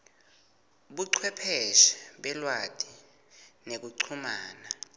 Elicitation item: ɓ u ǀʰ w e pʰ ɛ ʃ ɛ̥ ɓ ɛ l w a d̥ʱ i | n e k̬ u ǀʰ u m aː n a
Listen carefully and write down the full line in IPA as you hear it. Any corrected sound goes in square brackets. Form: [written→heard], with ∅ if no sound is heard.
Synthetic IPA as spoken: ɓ u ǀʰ w [e→ɛ] pʰ ɛ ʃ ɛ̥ ɓ ɛ l w a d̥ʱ i | n e k̬ u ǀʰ u m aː n a